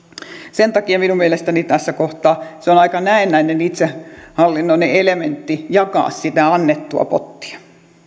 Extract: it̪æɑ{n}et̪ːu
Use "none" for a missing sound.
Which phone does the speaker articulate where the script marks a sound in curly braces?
nː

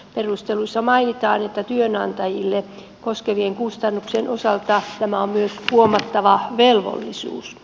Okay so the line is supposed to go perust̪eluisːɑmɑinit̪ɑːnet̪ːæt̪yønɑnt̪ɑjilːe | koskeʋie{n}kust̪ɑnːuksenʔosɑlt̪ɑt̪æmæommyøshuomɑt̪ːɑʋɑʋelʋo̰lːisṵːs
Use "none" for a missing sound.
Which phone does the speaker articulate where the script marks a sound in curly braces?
ŋ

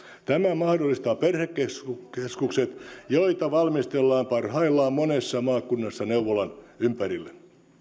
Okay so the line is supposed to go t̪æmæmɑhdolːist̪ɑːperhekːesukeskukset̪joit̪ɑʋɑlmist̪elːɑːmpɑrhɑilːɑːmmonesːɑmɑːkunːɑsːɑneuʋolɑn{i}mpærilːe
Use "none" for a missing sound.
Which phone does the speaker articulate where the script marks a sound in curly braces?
y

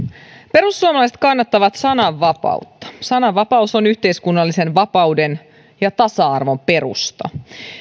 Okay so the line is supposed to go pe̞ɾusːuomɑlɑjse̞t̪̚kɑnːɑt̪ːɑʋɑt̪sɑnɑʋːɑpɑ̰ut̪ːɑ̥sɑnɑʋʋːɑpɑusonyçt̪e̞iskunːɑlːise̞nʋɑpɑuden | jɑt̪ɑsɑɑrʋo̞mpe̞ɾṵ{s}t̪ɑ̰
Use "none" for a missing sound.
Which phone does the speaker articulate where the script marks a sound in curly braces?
s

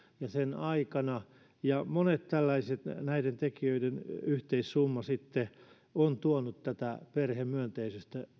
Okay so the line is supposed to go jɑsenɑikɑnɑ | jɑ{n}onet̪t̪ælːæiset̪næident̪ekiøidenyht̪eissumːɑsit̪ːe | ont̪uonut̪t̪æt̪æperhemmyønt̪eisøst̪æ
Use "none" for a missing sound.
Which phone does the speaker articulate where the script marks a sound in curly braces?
m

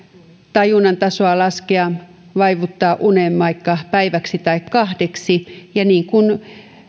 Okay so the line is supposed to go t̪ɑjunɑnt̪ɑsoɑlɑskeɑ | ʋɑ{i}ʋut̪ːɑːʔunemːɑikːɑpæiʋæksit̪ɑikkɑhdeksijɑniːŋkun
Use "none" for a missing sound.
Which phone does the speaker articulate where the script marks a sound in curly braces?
i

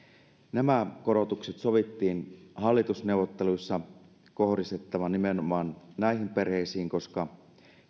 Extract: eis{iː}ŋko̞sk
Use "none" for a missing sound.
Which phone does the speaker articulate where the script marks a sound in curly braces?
iː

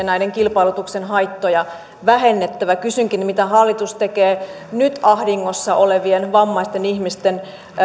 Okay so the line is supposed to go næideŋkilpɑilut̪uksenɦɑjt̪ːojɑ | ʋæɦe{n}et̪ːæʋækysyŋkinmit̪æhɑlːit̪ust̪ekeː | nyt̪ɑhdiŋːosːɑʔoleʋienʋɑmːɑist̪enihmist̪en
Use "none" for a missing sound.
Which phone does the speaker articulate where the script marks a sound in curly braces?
nː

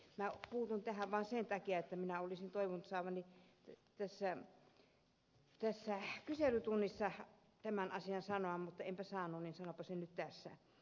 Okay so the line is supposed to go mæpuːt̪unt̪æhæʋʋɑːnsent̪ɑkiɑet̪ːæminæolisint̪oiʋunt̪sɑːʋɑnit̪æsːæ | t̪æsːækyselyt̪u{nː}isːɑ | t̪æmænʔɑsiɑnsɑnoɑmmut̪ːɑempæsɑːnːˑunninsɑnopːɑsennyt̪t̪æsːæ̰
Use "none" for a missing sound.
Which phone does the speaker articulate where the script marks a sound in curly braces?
nː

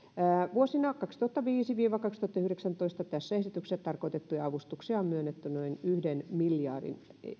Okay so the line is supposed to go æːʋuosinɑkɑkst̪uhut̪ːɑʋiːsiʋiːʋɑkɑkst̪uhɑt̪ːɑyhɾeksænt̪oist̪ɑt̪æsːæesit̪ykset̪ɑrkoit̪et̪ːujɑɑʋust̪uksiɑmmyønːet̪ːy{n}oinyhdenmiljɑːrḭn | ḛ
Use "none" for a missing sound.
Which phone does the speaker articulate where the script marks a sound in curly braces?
n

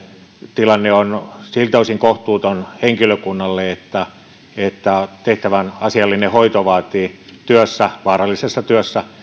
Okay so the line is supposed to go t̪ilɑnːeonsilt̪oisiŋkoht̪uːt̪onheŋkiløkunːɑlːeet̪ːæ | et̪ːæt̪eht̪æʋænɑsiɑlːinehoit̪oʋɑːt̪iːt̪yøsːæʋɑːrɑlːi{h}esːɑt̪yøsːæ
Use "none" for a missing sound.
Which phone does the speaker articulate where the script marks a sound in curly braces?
s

